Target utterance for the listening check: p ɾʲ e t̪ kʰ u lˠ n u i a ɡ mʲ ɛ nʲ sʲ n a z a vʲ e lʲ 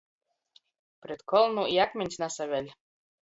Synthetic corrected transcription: p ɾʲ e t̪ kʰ ɔ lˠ n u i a k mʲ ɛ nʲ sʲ n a s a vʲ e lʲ